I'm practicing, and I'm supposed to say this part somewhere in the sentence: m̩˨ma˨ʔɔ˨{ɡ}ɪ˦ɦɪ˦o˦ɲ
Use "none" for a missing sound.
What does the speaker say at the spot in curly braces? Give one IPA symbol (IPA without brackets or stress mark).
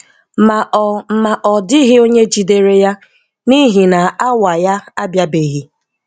d